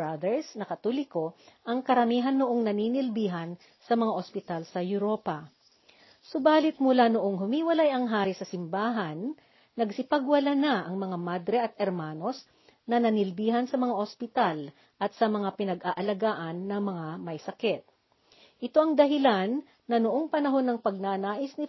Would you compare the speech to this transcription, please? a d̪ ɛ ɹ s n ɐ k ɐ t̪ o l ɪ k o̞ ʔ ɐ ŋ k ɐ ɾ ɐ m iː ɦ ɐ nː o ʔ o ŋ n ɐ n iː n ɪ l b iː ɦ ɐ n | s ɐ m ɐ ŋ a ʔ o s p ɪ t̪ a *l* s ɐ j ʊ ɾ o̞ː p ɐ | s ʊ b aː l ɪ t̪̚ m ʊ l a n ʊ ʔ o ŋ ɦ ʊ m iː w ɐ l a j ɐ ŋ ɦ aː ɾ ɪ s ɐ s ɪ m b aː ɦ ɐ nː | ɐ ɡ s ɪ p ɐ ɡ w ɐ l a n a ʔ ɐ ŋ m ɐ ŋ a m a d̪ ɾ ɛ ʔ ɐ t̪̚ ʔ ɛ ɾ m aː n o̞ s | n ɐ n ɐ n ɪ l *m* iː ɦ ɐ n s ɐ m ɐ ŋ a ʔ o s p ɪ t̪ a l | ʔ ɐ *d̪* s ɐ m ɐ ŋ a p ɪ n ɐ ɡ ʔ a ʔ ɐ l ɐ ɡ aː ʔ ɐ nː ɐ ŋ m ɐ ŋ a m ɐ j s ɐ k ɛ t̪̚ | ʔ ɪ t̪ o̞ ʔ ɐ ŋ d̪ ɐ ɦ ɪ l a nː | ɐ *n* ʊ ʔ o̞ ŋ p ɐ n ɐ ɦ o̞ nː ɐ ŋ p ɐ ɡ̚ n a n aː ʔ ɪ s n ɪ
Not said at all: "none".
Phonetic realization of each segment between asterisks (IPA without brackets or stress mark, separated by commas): l, b, t̪, n